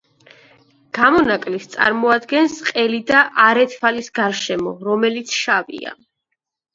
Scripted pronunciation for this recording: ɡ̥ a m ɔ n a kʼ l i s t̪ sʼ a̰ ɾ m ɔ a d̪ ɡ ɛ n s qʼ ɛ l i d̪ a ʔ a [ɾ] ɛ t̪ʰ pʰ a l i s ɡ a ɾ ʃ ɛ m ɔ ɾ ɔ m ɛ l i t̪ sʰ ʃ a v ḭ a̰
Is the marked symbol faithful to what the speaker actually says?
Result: yes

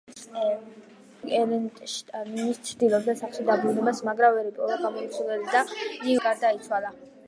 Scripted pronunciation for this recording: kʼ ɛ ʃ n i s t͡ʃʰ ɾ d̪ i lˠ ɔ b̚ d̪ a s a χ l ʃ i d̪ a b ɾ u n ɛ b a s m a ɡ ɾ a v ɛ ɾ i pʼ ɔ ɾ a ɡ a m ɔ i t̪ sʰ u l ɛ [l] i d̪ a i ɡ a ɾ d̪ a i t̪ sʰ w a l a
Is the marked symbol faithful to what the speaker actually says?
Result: yes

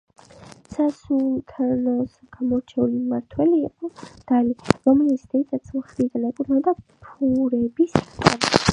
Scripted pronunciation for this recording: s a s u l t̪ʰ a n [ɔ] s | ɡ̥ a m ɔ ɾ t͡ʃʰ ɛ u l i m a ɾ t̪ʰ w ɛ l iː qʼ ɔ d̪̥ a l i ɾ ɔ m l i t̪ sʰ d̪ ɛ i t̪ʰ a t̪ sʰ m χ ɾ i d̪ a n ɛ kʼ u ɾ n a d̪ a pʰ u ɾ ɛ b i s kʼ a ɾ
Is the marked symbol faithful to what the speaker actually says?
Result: yes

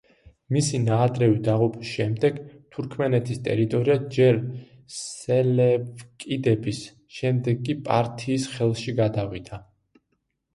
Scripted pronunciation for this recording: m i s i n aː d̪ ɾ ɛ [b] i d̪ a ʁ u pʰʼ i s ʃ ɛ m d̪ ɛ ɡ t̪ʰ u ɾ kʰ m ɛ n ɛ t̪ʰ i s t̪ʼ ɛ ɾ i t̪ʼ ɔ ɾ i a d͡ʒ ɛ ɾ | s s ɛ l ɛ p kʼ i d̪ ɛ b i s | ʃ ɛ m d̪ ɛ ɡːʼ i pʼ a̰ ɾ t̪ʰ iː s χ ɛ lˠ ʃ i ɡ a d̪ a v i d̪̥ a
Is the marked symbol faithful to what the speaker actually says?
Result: no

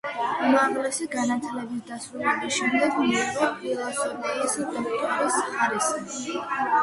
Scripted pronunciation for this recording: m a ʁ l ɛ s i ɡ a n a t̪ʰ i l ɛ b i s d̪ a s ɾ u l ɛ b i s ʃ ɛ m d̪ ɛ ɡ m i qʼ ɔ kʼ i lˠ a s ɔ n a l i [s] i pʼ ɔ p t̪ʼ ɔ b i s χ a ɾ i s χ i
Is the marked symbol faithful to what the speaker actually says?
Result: yes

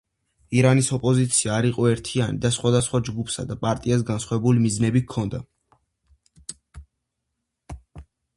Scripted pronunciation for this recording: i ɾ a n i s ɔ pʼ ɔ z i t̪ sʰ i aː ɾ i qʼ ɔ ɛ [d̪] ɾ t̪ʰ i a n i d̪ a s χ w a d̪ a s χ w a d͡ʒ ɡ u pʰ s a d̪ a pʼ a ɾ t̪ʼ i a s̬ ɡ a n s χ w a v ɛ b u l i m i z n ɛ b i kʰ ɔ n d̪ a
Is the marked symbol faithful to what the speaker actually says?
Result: no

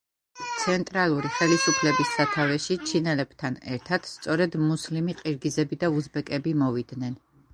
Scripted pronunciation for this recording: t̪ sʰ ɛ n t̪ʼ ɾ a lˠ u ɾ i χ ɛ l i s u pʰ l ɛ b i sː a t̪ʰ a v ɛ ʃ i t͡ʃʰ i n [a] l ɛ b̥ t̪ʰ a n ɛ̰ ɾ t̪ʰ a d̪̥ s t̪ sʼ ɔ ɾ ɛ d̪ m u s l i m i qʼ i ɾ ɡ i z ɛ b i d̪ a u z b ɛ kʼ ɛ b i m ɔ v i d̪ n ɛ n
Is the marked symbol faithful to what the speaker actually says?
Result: no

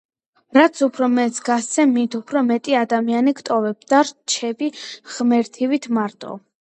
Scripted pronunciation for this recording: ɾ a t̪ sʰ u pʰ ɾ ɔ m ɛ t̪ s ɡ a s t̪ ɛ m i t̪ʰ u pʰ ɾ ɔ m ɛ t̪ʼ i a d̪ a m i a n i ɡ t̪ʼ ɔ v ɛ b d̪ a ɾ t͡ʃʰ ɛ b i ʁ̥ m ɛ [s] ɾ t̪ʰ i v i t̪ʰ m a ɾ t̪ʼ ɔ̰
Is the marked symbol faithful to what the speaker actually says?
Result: no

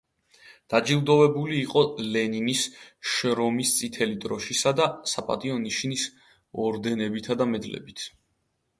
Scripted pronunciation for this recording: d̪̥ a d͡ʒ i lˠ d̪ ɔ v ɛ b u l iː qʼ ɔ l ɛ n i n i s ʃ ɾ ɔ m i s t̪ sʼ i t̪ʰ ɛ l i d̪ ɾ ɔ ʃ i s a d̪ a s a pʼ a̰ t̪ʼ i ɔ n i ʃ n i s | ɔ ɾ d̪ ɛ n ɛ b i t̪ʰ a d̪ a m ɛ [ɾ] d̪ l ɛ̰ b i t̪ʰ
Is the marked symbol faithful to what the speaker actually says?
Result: no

